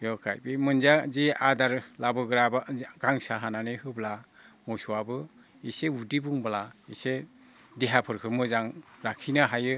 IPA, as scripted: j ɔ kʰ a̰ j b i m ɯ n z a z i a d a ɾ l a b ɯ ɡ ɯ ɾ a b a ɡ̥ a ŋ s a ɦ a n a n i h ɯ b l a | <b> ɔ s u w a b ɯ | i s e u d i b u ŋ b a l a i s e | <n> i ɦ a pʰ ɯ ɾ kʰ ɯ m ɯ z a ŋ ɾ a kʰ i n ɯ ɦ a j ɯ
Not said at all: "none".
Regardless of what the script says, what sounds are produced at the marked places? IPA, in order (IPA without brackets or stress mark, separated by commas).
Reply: m, d